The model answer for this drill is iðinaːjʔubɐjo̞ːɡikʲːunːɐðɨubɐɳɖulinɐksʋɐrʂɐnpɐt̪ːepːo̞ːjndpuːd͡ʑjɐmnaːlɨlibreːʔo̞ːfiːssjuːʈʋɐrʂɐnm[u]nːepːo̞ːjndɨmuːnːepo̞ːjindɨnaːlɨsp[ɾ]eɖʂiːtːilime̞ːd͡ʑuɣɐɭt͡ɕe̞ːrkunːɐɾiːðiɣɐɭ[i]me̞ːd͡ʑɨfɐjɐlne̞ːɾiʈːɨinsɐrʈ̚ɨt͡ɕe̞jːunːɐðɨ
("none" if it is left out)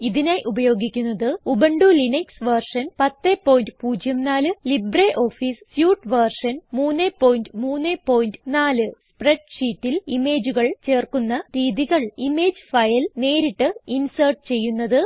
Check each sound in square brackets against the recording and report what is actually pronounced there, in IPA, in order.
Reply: uː, r, i

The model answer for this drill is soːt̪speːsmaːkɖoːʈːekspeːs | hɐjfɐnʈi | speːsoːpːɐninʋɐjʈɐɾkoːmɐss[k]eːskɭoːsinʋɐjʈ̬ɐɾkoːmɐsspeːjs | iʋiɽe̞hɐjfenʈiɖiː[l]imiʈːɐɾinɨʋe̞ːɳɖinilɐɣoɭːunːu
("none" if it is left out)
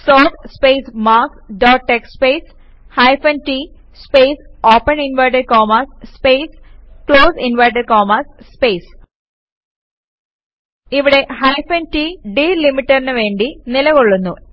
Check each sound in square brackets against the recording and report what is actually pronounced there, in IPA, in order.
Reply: p, l

